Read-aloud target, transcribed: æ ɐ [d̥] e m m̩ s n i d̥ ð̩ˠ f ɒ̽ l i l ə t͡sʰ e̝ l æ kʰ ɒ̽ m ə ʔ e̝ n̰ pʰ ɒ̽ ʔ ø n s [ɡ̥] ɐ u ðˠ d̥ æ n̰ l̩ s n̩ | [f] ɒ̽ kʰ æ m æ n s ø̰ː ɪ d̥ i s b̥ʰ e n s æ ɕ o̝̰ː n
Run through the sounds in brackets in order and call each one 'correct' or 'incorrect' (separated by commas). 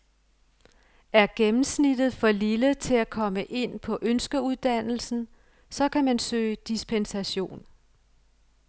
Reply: incorrect, correct, incorrect